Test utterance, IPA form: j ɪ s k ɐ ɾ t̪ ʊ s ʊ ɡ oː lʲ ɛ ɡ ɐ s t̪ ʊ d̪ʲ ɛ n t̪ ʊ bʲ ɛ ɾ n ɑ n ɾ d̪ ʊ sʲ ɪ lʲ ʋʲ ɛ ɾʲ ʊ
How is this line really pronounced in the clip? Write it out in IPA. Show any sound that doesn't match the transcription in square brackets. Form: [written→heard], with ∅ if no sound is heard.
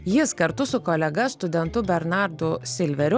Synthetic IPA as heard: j ɪ s k ɐ ɾ t̪ ʊ s ʊ [ɡ→k] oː lʲ ɛ ɡ ɐ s t̪ ʊ d̪ʲ ɛ n t̪ ʊ bʲ ɛ ɾ n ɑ [n→∅] ɾ d̪ ʊ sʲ ɪ lʲ ʋʲ ɛ ɾʲ ʊ